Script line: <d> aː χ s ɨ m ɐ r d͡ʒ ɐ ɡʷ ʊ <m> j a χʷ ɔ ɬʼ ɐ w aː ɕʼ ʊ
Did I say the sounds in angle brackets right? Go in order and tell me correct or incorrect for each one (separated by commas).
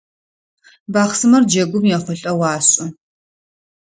incorrect, correct